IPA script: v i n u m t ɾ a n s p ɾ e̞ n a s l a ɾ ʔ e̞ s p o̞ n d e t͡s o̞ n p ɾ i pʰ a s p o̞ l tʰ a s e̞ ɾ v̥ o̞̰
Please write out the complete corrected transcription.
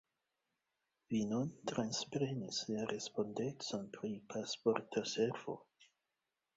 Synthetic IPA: v i n u n t ɾ a n s p ɾ e̞ n i s l a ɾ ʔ e̞ s p o̞ n d e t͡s o̞ n p ɾ i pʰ a s p o̞ ɾ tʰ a s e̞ ɾ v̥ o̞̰